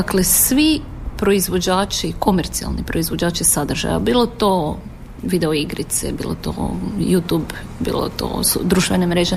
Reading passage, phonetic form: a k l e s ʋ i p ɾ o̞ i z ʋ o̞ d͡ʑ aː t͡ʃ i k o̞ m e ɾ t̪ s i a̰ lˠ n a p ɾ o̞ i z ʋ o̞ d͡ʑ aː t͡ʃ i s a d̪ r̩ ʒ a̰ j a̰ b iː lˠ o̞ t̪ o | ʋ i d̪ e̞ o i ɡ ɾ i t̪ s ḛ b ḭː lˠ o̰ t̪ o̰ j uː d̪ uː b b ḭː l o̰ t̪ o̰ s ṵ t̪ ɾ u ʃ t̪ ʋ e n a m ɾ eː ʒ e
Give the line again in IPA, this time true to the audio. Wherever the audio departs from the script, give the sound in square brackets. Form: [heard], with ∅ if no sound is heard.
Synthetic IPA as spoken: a k l e s ʋ i p ɾ o̞ i z ʋ o̞ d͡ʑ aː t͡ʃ i k o̞ m e ɾ t̪ s i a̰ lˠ n [i] p ɾ o̞ i z ʋ o̞ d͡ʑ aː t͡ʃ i s a d̪ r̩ ʒ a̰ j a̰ b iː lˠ o̞ t̪ o | ʋ i d̪ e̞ o i ɡ ɾ i t̪ s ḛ b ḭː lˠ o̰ t̪ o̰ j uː [t̪] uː b b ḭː l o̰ t̪ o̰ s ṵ [d̪] ɾ u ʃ t̪ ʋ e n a m ɾ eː ʒ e